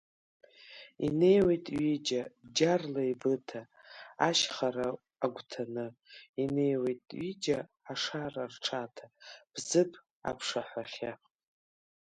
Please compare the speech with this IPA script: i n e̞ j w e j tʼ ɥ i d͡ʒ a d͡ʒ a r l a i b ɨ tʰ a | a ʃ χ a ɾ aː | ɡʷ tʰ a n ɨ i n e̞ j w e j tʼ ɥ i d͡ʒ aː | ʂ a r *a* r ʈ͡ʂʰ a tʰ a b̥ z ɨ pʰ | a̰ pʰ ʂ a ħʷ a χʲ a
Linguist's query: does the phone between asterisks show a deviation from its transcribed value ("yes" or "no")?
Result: no